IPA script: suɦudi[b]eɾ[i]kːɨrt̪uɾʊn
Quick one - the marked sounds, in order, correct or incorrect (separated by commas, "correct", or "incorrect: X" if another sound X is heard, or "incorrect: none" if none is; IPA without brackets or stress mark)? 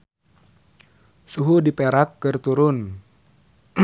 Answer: incorrect: p, incorrect: a